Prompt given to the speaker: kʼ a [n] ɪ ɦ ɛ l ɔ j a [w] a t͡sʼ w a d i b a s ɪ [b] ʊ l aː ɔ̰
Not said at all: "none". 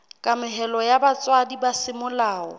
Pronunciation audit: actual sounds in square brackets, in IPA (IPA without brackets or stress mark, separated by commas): m, b, m